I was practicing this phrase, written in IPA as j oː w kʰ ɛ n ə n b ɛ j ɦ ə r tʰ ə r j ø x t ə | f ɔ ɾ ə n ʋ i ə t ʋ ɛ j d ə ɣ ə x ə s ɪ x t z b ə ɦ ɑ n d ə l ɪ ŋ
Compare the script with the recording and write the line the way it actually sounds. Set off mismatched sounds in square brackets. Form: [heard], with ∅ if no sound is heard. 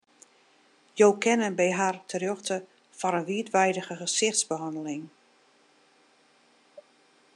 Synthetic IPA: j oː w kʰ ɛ n ə n b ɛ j ɦ [a] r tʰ ə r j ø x t ə | f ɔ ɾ ə n ʋ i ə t ʋ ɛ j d ə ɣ ə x ə s ɪ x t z b ə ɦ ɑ n d ə l ɪ ŋ